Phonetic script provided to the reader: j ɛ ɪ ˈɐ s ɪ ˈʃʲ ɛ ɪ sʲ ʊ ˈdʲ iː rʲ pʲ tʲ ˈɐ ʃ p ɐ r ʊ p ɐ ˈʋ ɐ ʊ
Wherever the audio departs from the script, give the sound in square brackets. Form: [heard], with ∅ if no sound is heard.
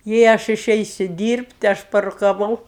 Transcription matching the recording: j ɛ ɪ ˈɐ [ʃ] ɪ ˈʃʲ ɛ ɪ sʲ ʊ ˈdʲ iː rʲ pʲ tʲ ˈɐ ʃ p ɐ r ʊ [k] ɐ ˈʋ ɐ ʊ